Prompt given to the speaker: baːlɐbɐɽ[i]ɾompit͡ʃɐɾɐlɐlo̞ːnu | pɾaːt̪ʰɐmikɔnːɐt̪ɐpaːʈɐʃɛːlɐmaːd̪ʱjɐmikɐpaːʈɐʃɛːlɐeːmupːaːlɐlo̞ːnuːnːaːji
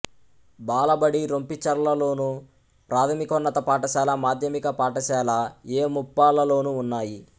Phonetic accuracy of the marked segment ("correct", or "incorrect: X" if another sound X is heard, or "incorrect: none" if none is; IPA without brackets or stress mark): correct